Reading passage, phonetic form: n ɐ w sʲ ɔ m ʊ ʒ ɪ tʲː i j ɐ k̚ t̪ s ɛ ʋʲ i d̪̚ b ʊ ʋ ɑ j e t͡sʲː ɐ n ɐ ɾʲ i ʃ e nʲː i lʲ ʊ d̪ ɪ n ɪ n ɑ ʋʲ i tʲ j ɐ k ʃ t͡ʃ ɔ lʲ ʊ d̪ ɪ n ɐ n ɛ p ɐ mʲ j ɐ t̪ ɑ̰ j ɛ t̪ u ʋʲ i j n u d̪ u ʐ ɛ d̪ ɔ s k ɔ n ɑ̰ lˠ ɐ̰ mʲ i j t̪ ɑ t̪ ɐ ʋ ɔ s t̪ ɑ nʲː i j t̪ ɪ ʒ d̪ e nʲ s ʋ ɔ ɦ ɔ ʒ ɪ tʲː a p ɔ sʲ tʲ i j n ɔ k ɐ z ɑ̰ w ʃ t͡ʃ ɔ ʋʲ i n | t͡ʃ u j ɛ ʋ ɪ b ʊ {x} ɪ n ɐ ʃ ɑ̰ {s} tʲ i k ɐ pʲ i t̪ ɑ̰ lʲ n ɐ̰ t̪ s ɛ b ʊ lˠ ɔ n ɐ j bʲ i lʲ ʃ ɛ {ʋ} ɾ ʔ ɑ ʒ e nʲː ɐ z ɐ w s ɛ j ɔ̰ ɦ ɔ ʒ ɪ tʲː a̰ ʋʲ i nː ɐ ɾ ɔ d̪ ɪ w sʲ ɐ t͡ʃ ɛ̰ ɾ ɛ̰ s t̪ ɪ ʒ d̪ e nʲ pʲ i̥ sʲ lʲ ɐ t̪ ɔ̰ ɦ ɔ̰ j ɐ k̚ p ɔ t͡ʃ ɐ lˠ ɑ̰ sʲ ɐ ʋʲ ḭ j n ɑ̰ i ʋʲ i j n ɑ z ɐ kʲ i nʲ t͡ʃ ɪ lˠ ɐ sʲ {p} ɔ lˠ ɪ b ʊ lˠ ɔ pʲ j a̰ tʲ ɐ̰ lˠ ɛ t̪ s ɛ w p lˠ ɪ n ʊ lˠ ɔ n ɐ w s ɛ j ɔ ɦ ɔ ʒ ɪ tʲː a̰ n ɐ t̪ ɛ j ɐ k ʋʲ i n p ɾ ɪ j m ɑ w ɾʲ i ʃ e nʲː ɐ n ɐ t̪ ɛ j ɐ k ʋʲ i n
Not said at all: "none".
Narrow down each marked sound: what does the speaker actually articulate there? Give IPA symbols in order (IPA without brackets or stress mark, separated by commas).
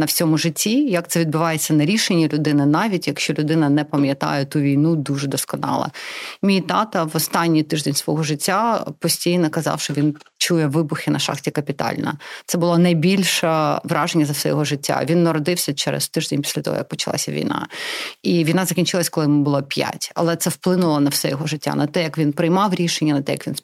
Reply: x, x, ʋ, k